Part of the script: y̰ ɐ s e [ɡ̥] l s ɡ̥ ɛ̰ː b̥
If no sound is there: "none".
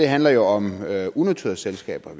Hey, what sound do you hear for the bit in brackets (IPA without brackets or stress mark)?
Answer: none